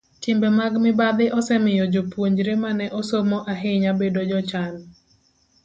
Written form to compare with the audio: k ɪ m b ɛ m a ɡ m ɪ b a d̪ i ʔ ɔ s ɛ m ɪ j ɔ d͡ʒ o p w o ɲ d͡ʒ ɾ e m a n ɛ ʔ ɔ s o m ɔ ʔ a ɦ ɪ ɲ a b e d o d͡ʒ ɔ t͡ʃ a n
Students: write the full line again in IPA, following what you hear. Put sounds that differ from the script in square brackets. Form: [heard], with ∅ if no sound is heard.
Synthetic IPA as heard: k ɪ m b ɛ m a ɡ m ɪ b a d̪ [ɪ] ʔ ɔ s ɛ m ɪ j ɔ d͡ʒ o p w o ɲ d͡ʒ ɾ e m a n ɛ ʔ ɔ s o m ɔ ʔ a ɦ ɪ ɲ a b e d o d͡ʒ ɔ t͡ʃ a n